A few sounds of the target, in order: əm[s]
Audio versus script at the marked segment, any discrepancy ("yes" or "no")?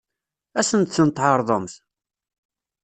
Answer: yes